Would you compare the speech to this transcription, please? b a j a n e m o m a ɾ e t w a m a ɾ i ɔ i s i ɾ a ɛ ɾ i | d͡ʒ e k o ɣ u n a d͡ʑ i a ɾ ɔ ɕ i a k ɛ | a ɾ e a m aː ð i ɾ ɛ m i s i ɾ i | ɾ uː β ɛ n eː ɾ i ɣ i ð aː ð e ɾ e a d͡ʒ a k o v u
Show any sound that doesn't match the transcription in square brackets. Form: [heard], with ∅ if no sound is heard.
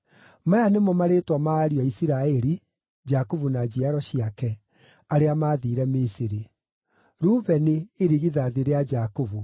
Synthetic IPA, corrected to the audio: [m] a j a n e m [ɔ] m a ɾ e t w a m a ɾ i ɔ i s i ɾ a ɛ ɾ i | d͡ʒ [a] k o [v] u n a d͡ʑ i a ɾ ɔ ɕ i a k ɛ | a ɾ e a m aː ð i ɾ ɛ m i s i ɾ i | ɾ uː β ɛ n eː ɾ i ɣ i ð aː ð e ɾ e a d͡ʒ a k o v u